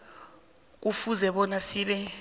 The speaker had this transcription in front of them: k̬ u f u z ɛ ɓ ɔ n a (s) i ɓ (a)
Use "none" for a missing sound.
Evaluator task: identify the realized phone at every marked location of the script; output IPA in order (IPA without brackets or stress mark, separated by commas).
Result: s, ɛ